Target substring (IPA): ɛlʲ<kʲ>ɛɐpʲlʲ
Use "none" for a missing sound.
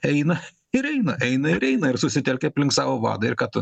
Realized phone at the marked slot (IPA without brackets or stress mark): kʲ